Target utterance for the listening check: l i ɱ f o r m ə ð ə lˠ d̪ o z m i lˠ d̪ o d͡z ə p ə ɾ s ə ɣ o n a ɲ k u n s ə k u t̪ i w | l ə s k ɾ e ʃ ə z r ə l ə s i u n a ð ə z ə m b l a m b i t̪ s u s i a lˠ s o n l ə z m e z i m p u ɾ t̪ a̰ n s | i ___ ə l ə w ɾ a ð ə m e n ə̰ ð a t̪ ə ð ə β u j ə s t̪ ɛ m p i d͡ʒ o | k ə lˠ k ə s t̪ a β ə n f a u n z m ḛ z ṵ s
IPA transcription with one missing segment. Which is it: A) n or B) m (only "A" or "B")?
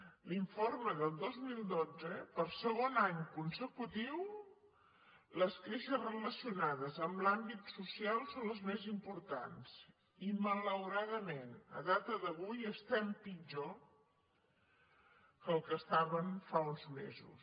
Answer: B